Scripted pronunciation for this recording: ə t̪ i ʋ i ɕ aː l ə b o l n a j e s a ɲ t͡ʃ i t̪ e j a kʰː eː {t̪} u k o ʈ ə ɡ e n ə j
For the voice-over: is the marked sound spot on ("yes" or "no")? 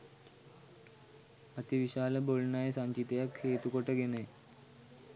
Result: yes